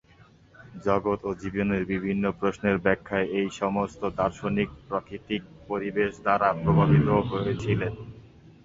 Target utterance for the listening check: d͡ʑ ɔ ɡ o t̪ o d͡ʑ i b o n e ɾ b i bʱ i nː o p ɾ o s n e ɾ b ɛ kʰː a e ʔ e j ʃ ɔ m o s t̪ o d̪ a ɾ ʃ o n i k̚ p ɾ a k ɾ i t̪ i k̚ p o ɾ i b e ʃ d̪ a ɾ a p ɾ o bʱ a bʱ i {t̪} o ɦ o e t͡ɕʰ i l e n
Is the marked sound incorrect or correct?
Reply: correct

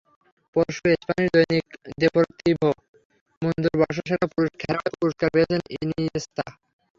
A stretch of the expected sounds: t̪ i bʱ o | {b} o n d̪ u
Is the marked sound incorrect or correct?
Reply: incorrect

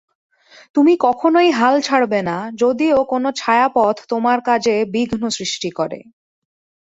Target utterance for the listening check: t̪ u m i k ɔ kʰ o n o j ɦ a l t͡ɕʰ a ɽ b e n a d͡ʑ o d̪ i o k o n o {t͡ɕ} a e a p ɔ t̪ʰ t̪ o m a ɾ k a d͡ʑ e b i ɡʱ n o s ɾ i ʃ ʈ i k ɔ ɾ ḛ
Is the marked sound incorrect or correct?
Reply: incorrect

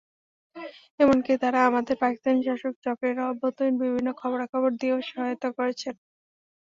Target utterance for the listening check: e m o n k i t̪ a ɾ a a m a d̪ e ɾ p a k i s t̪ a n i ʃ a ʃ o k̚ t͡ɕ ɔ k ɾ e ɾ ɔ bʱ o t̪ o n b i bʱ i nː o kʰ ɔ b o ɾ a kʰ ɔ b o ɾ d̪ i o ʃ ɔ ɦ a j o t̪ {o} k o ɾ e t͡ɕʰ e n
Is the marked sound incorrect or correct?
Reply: correct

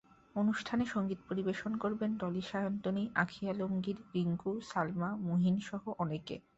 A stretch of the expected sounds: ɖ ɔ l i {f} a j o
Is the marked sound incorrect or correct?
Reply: incorrect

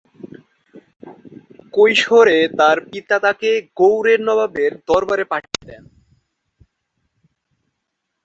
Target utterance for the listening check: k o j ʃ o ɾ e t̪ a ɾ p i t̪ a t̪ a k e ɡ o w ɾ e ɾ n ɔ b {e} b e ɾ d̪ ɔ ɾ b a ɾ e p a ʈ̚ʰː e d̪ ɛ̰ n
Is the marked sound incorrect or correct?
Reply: incorrect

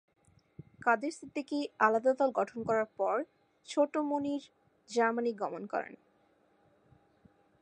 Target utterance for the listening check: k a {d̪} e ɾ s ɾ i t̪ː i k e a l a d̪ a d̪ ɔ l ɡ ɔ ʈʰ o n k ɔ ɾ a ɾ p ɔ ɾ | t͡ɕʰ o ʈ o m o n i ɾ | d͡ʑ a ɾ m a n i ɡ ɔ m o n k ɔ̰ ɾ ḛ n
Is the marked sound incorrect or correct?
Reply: correct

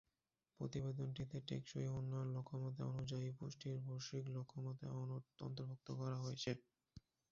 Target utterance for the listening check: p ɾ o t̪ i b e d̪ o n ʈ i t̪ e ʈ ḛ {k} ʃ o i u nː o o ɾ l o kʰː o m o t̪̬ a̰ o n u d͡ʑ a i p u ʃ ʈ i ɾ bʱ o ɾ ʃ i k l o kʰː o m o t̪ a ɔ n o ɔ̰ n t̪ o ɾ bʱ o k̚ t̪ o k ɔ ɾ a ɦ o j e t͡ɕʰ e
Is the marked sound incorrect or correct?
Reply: correct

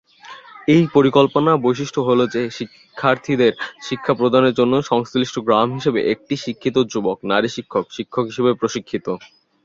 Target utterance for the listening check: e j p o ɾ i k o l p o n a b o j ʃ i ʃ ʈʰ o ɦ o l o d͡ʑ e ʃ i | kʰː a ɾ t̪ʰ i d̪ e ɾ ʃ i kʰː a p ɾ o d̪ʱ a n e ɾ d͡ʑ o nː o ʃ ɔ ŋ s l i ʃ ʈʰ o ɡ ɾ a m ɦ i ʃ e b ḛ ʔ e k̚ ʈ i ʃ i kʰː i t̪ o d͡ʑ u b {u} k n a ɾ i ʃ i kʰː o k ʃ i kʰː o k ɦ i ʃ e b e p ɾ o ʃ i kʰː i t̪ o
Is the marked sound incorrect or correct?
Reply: incorrect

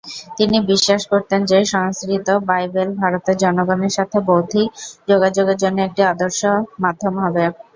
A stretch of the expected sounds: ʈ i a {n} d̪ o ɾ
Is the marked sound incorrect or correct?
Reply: incorrect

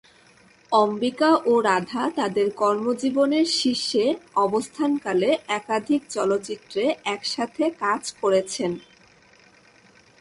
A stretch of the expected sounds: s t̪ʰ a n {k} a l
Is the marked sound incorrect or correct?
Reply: correct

